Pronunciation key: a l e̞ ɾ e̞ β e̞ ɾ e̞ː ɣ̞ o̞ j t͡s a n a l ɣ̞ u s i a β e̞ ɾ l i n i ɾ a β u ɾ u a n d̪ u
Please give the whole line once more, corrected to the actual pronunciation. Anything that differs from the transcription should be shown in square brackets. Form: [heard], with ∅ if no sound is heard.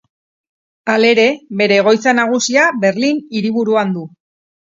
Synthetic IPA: a l e̞ ɾ e̞ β e̞ ɾ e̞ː ɣ̞ o̞ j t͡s a n a [∅] ɣ̞ u s i a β e̞ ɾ l i n i ɾ [i] β u ɾ u a n d̪ u

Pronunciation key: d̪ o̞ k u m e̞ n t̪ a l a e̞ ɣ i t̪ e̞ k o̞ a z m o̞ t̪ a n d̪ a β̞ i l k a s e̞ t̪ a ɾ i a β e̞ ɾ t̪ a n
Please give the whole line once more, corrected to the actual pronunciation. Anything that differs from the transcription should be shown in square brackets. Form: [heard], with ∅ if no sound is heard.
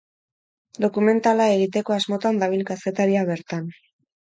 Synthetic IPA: d̪ o̞ k u m e̞ n t̪ a l a e̞ ɣ i t̪ e̞ k o̞ a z m o̞ t̪ a n d̪ a β̞ i l k a s e̞ t̪ a ɾ i a β e̞ ɾ t̪ a n

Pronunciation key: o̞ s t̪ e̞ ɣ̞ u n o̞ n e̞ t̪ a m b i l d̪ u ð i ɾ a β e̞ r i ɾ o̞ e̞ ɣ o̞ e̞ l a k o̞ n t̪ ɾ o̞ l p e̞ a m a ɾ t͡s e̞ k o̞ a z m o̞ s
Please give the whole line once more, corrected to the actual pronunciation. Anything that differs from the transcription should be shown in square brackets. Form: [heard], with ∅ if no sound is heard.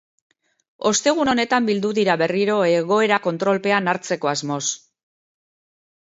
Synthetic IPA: o̞ s t̪ e̞ ɣ̞ u n o̞ n e̞ t̪ a m b i l d̪ u ð i ɾ a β e̞ r i ɾ o̞ e̞ ɣ o̞ e̞ [ɾ] a k o̞ n t̪ ɾ o̞ l p e̞ a [n] a ɾ t͡s e̞ k o̞ a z m o̞ s

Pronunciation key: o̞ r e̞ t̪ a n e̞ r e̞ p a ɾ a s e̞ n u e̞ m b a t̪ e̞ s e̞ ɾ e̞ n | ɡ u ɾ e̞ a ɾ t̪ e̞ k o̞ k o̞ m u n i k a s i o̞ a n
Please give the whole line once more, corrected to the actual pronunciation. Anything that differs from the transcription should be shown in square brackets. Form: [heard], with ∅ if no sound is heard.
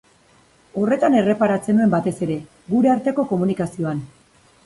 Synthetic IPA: o̞ r e̞ t̪ a n e̞ r e̞ p a ɾ a [t͡s] e̞ n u e̞ m b a t̪ e̞ s e̞ ɾ e̞ [∅] | ɡ u ɾ e̞ a ɾ t̪ e̞ k o̞ k o̞ m u n i k a s i o̞ a n

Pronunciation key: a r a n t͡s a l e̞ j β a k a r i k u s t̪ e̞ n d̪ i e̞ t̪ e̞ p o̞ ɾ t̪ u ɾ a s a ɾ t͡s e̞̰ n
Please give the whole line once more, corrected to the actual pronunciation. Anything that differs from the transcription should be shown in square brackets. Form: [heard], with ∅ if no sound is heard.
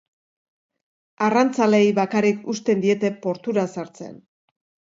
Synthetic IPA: a r a n t͡s a l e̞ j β a k a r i k u s t̪ e̞ n d̪ i e̞ t̪ e̞ p o̞ ɾ t̪ u ɾ a s a ɾ t͡s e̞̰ n

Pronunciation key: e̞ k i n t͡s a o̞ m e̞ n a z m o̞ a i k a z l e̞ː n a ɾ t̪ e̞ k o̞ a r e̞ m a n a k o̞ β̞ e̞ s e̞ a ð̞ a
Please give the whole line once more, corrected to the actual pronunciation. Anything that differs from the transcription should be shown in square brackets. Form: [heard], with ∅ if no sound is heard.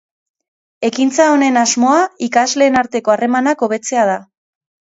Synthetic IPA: e̞ k i n t͡s a o̞ [n] e̞ n a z m o̞ a i k a z l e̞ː n a ɾ t̪ e̞ k o̞ a r e̞ m a n a k o̞ β̞ e̞ [t͡s] e̞ a ð̞ a

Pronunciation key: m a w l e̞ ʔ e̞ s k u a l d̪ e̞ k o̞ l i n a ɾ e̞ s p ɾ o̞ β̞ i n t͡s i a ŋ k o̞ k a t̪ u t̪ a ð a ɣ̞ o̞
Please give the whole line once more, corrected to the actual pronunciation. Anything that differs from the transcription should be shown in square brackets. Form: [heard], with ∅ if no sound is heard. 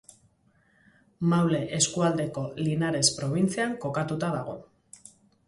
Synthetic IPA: m a w l e̞ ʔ e̞ s k u a l d̪ e̞ k o̞ l i n a ɾ e̞ s p ɾ o̞ β̞ i n t͡s i a ŋ k o̞ k a t̪ u t̪ a ð a ɣ̞ o̞

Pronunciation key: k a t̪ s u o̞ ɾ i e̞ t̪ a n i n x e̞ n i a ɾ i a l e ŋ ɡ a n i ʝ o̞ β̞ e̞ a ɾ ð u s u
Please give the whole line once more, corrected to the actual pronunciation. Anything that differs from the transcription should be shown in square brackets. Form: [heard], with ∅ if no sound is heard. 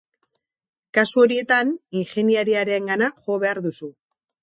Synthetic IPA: k a [∅] s u o̞ ɾ i e̞ t̪ a n i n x e̞ n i a ɾ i a [ɾ] e ŋ ɡ a n [a] ʝ o̞ β̞ e̞ a ɾ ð u s u

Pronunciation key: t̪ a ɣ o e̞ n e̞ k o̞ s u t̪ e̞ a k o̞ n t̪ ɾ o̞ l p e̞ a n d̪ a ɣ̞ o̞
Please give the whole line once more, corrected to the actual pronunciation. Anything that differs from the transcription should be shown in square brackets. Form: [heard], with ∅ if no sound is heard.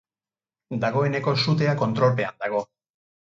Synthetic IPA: [d̪] a ɣ o e̞ n e̞ k o̞ s u t̪ e̞ a k o̞ n t̪ ɾ o̞ l p e̞ a n d̪ a ɣ̞ o̞

